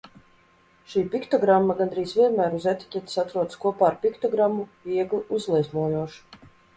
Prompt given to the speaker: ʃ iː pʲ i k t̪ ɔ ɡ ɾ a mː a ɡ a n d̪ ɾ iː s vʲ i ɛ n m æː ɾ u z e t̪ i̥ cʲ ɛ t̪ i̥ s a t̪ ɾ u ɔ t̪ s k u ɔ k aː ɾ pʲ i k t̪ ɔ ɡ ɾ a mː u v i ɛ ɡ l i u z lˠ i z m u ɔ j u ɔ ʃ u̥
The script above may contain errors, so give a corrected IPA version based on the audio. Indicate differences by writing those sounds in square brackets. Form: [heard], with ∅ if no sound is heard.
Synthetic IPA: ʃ iː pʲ i k t̪ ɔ ɡ ɾ a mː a ɡ a n d̪ ɾ iː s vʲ i ɛ n m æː ɾ u z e t̪ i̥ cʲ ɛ t̪ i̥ s a t̪ ɾ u ɔ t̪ s k u ɔ [p] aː ɾ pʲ i k t̪ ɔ ɡ ɾ a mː u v i ɛ ɡ l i u z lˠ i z m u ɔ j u ɔ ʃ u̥